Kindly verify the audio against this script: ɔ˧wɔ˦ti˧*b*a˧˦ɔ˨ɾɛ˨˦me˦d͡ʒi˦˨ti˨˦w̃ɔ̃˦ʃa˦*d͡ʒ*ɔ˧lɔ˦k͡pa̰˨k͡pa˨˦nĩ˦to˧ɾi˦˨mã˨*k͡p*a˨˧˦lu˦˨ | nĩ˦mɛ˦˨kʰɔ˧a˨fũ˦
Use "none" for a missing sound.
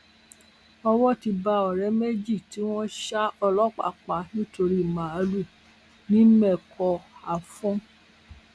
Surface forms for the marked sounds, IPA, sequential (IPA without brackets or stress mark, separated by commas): b, none, none